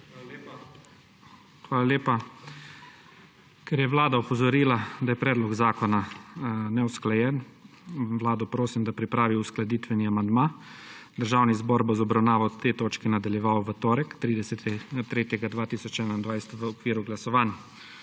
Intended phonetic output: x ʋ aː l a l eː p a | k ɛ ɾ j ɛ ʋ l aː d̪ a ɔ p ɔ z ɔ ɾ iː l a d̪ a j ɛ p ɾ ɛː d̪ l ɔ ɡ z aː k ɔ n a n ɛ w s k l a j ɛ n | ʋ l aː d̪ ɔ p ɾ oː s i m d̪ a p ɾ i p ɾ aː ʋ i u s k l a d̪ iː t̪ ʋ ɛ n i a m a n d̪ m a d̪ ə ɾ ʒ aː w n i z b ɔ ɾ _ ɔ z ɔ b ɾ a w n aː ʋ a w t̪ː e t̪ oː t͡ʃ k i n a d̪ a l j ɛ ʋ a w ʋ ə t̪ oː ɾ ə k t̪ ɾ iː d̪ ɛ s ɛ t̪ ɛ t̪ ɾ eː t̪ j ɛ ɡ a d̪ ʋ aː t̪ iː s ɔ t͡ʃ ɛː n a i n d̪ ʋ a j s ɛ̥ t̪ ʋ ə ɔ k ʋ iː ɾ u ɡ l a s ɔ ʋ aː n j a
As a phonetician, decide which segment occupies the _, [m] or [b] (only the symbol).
b